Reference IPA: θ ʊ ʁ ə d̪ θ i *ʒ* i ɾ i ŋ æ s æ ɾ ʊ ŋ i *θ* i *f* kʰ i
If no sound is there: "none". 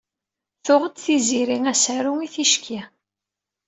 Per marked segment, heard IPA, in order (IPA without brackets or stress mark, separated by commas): z, θ, ʃ